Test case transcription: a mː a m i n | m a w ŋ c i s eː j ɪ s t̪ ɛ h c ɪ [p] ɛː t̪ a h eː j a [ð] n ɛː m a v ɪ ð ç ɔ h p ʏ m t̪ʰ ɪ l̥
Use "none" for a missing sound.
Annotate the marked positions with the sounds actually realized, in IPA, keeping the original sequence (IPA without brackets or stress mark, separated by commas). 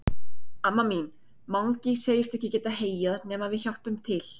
c, ð